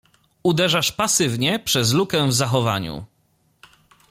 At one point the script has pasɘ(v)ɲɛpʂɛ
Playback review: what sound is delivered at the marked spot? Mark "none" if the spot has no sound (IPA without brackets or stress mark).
v